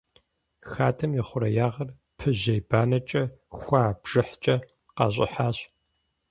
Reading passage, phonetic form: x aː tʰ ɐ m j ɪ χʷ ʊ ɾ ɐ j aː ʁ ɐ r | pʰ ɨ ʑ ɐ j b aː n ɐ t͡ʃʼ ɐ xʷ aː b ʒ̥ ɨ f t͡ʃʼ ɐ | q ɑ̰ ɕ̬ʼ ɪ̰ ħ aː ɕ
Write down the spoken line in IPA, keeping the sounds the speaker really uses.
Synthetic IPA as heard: x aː tʰ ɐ m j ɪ χʷ ʊ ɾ ɐ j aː ʁ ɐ r | pʰ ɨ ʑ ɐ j b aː n ɐ t͡ʃʼ ɐ xʷ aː b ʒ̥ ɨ ħ t͡ʃʼ ɐ | q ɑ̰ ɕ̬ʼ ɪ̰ ħ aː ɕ